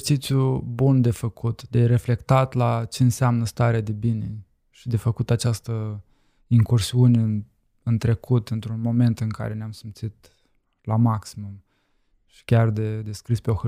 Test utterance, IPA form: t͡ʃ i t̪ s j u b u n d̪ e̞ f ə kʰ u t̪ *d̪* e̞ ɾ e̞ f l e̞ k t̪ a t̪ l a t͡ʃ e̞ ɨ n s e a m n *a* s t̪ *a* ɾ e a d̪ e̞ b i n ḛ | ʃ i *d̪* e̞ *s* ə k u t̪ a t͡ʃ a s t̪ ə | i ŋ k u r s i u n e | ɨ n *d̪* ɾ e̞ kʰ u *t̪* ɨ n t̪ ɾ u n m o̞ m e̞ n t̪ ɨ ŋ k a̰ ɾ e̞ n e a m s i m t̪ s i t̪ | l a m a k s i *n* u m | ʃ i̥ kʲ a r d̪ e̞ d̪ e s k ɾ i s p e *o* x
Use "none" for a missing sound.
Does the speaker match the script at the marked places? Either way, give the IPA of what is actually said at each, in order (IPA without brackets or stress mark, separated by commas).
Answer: d̪, ə, a, d̪, f, t̪, t̪, m, o